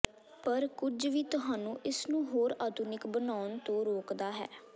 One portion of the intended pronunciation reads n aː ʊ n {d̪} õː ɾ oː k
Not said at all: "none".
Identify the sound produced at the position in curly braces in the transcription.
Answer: t̪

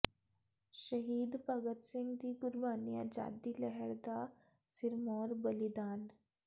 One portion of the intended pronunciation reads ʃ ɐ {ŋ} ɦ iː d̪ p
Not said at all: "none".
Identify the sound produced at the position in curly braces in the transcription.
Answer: none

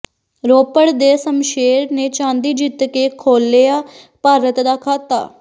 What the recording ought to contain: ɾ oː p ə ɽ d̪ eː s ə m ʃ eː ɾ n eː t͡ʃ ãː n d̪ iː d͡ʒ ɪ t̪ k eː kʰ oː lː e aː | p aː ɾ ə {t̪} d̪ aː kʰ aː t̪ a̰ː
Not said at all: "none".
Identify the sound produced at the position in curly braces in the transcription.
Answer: t̪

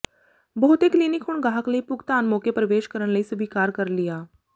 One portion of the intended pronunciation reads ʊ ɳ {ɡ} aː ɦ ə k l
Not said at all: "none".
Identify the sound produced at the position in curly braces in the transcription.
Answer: ɡ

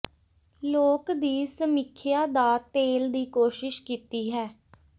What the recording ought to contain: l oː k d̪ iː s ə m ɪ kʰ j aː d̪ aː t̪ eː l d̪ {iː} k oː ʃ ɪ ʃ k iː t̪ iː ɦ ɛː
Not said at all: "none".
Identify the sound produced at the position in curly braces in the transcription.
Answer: iː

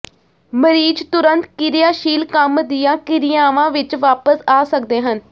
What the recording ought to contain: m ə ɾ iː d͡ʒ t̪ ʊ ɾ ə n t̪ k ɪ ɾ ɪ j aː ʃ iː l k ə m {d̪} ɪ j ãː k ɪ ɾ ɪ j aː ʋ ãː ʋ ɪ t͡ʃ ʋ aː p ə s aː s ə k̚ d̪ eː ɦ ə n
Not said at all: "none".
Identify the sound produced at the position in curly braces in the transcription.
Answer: d̪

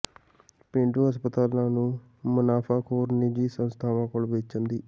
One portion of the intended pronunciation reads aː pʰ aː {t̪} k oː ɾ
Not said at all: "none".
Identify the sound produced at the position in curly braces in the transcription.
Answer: none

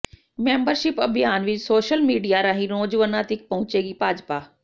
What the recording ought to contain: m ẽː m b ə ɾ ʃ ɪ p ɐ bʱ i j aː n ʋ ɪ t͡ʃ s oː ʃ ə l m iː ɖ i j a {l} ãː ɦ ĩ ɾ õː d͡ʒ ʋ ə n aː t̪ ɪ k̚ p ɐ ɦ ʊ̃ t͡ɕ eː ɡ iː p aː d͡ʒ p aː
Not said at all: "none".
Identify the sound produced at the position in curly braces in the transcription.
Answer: ɾ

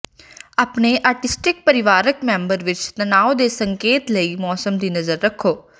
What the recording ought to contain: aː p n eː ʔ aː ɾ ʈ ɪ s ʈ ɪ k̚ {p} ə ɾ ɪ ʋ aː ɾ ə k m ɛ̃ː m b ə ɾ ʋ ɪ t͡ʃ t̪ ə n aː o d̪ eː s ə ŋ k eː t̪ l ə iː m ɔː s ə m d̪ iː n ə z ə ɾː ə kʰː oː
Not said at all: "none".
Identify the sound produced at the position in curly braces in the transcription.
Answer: p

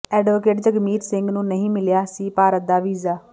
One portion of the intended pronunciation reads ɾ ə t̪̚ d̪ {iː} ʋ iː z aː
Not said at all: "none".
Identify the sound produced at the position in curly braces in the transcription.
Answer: aː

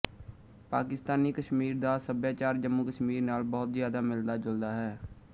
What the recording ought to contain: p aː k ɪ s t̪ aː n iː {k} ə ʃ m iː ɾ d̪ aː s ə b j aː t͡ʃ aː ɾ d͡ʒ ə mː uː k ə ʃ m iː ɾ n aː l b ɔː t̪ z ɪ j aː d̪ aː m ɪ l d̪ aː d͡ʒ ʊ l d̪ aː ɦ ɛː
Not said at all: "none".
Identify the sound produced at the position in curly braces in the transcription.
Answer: k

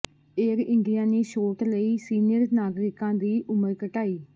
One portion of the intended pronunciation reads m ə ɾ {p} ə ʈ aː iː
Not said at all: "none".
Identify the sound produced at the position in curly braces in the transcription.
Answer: k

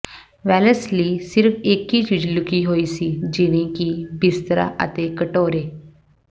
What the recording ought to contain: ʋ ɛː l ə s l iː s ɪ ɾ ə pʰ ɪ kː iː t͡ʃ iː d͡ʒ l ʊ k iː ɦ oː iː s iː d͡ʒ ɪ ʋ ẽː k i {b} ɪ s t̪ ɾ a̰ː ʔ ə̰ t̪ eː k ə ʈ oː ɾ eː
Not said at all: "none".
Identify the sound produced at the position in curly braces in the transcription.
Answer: b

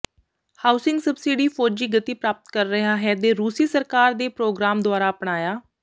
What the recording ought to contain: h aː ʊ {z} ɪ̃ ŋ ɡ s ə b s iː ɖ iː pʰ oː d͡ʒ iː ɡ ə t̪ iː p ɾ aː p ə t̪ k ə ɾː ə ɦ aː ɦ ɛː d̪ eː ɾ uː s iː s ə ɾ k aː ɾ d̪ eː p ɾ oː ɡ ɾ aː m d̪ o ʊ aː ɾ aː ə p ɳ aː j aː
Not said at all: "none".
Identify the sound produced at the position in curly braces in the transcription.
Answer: s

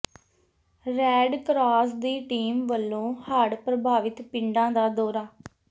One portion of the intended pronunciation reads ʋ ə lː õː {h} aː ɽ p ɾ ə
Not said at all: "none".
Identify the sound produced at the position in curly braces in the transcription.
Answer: h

